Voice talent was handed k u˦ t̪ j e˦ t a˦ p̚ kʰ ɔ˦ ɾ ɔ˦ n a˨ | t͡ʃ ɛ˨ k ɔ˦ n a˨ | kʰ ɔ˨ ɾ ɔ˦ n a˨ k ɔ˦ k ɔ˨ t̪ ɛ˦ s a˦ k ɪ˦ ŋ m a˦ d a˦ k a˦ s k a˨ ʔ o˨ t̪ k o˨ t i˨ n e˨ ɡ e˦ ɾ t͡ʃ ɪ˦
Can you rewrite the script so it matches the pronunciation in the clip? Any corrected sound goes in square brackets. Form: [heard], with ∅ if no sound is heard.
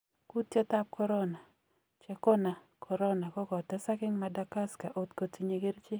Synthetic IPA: k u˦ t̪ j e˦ t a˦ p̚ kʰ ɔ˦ ɾ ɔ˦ n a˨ | t͡ʃ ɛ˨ k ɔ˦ n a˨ | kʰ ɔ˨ ɾ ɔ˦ n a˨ k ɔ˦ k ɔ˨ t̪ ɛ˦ s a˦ k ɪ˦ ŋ m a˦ d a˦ k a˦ s k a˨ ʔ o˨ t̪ k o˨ t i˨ [ɲ] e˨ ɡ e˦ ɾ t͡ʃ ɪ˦